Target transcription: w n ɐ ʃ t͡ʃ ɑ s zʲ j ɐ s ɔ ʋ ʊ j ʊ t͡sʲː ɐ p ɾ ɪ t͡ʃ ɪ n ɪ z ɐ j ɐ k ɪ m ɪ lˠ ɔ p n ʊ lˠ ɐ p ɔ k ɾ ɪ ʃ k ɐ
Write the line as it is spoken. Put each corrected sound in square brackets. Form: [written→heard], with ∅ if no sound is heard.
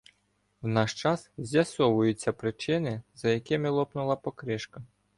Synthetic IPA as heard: w n [ɐ→ɑ] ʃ t͡ʃ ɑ s zʲ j ɐ s ɔ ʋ ʊ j ʊ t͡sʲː ɐ p ɾ ɪ t͡ʃ ɪ n ɪ z ɐ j ɐ k ɪ m ɪ lˠ ɔ p n ʊ lˠ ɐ p ɔ k ɾ ɪ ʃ k ɐ